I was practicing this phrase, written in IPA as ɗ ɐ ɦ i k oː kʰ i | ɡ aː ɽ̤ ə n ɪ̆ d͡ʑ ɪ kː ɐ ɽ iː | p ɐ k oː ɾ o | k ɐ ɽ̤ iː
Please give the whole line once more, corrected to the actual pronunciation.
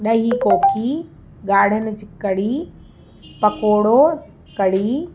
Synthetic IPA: ɗ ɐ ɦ i k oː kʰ i | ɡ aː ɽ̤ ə n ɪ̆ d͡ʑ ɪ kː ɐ ɽ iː | p ɐ k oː ɽ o | k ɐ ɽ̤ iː